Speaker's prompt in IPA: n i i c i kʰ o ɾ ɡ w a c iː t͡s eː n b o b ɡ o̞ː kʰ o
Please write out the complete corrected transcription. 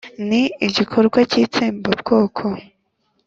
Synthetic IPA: n i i ɟ i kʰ o ɾ ɡ w a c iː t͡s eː m b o b ɡ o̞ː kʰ o